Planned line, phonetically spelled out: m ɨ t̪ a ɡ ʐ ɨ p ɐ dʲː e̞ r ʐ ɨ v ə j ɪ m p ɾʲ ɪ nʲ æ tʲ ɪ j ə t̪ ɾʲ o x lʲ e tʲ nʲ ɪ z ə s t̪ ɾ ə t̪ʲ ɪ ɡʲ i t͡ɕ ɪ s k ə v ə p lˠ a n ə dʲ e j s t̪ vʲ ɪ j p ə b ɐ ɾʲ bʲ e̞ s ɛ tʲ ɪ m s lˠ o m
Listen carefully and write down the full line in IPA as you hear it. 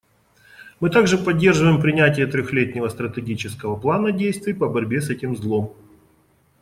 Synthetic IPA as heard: m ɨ t̪ a ɡ ʐ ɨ p ɐ dʲː e̞ r ʐ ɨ v ə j ɪ m p ɾʲ ɪ nʲ æ tʲ ɪ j ə t̪ ɾʲ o x lʲ e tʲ nʲ ɪ v ə s t̪ ɾ ə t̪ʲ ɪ ɡʲ i t͡ɕ ɪ s k ə v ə p lˠ a n ə dʲ e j s t̪ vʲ ɪ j p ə b ɐ ɾʲ bʲ e̞ s ɛ tʲ ɪ m z lˠ o m